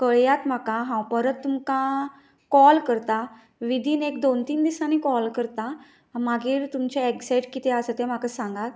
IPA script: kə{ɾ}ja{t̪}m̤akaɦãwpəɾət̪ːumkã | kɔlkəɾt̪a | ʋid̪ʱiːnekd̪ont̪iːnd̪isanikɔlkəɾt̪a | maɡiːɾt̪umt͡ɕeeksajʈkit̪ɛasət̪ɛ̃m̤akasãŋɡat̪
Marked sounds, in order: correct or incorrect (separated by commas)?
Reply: incorrect, correct